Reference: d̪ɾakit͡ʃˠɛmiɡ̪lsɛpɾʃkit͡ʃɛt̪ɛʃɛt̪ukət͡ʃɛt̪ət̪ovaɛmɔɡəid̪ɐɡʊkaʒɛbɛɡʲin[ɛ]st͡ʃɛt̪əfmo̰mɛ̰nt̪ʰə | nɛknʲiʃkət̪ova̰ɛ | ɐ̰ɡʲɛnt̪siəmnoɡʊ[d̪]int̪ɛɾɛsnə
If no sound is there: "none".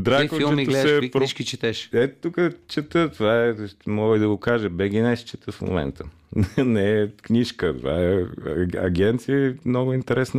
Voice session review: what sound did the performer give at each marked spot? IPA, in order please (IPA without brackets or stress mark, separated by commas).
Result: ɛ, none